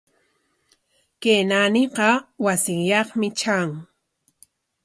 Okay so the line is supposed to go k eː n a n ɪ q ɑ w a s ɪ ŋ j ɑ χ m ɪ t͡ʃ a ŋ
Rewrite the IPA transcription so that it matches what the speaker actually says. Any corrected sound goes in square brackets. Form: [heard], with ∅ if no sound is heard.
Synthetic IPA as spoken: k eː n a n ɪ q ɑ w a s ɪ ŋ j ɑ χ m ɪ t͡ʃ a ŋ